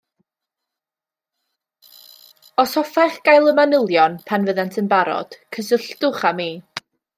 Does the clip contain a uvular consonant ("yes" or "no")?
yes